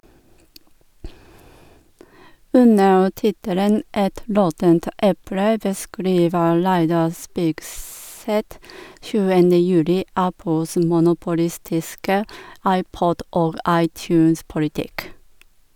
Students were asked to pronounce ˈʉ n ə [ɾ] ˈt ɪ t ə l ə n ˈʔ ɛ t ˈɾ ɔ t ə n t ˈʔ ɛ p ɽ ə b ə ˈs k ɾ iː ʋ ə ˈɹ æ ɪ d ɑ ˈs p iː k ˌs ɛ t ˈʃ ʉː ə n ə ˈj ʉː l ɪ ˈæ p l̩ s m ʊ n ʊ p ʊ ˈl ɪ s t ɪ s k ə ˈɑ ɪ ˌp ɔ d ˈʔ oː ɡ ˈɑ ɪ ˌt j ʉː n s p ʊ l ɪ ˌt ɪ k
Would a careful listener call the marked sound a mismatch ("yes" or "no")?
yes